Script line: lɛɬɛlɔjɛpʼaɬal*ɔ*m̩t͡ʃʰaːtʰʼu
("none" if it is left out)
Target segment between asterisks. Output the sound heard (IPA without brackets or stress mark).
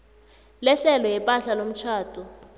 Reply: o